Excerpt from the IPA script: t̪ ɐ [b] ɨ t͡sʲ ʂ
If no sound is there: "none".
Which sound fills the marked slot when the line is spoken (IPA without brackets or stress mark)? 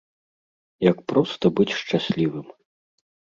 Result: b